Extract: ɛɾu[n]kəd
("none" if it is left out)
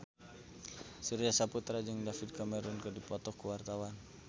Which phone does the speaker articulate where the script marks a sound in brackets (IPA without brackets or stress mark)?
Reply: n